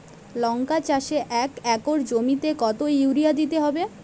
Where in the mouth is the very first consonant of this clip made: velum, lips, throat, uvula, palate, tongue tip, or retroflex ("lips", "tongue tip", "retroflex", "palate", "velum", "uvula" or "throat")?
tongue tip